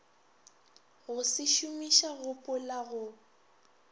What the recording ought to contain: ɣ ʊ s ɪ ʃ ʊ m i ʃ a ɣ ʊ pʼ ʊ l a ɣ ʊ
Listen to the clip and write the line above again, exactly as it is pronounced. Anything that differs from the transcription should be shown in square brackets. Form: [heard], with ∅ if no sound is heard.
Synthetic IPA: ɣ ʊ s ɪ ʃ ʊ m i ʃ a ɣ ʊ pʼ ʊ l a ɣ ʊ